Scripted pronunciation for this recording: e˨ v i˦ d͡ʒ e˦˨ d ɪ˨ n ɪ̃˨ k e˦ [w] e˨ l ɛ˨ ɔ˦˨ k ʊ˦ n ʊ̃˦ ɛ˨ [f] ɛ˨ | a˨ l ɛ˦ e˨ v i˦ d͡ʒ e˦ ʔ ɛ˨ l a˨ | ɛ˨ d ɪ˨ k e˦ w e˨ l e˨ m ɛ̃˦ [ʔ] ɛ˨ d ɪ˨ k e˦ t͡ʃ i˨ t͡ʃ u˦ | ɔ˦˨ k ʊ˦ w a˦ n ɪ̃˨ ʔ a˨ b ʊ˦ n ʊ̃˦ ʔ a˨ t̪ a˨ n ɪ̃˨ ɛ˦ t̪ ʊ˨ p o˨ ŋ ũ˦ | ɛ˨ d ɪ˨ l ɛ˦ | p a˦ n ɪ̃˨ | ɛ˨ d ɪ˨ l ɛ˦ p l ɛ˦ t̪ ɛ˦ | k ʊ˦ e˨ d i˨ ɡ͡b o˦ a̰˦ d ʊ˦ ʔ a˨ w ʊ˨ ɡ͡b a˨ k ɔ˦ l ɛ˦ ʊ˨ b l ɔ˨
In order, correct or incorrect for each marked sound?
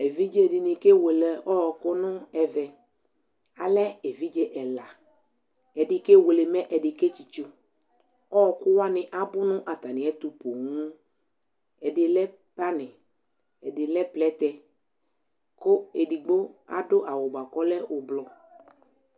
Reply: correct, incorrect: v, correct

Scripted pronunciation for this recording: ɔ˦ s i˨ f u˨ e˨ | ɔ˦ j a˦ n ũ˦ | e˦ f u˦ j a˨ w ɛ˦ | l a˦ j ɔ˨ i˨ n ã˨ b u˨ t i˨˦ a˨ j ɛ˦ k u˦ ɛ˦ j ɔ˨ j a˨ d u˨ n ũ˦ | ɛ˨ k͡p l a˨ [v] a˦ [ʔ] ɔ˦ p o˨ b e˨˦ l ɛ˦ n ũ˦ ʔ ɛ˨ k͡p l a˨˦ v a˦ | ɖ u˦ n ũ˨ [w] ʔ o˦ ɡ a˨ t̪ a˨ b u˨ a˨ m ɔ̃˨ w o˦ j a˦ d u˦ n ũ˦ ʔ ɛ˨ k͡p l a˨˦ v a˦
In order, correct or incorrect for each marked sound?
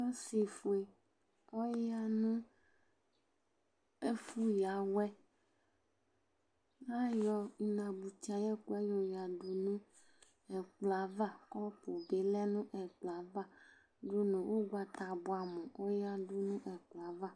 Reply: correct, incorrect: k, correct

